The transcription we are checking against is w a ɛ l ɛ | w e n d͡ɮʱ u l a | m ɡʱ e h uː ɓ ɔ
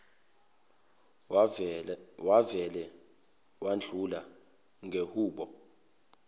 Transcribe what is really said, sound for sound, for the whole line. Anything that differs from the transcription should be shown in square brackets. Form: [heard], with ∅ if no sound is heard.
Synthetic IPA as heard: w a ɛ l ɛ | w [a] n d͡ɮʱ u l a | [ŋ] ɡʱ e h uː ɓ ɔ